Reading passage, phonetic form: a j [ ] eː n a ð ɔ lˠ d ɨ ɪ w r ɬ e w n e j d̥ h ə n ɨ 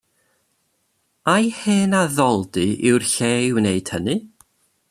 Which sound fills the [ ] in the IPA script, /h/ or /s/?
h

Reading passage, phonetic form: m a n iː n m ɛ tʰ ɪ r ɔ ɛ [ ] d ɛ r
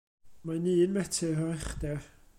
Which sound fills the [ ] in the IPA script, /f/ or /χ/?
χ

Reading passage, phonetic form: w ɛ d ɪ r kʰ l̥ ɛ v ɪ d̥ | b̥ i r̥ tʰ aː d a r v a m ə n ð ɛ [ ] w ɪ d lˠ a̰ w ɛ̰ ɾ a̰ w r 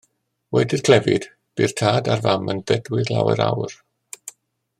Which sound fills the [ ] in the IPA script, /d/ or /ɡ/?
d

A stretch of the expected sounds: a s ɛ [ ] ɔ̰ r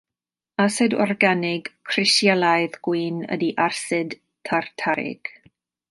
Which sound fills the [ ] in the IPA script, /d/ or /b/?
d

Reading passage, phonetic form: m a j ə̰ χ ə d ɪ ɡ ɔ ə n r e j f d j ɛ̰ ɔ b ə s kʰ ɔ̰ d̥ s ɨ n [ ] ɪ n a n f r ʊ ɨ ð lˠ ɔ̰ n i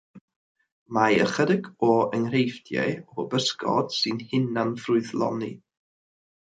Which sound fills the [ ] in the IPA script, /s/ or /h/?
h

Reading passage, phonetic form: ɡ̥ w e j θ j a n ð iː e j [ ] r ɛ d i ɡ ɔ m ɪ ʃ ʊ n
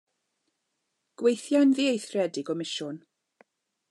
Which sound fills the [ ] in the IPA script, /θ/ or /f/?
θ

